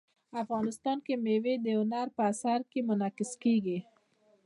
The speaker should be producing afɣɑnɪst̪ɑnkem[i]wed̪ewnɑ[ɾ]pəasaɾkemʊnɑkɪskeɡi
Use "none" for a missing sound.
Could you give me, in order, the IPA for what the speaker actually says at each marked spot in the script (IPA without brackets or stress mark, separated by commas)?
e, ɾ